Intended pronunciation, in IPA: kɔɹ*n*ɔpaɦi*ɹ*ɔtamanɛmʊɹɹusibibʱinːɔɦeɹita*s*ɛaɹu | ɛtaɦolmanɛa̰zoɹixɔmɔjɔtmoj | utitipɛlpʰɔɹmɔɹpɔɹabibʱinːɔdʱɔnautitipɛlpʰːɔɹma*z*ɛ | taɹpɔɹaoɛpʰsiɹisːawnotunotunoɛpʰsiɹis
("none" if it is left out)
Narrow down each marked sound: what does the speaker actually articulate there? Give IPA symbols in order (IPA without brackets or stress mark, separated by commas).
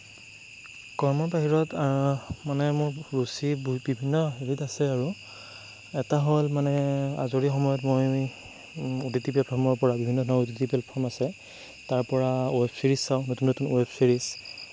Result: m, ɹ, s, s